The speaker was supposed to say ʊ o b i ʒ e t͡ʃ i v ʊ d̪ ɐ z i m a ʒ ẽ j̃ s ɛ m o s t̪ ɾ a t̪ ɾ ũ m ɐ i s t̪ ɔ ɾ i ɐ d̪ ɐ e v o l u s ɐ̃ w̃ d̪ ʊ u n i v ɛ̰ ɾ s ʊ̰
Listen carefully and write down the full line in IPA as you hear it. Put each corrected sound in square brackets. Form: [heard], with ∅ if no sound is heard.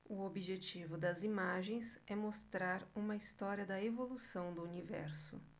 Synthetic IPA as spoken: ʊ o b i ʒ e t͡ʃ i v ʊ d̪ ɐ z i m a ʒ ẽ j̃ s ɛ m o s t̪ ɾ a [∅] ɾ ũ m ɐ i s t̪ ɔ ɾ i ɐ d̪ ɐ e v o l u s ɐ̃ w̃ d̪ ʊ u n i v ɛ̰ ɾ s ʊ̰